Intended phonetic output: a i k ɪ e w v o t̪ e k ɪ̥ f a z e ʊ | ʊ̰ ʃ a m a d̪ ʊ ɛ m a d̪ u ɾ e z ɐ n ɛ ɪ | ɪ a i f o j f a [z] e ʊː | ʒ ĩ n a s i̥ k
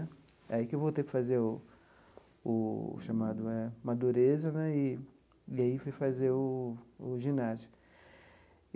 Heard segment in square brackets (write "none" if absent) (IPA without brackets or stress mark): z